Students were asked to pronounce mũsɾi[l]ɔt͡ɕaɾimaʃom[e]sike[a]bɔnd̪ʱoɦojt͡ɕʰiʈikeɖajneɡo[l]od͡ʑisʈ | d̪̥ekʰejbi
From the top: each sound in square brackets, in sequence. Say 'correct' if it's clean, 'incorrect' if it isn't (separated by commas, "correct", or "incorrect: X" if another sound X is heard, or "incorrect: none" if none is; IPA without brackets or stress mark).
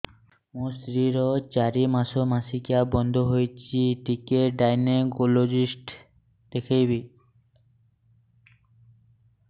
incorrect: ɾ, incorrect: a, correct, correct